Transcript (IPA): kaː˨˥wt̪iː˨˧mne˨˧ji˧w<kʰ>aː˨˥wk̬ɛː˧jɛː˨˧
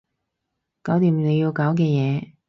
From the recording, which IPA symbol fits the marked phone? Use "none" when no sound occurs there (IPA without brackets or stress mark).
k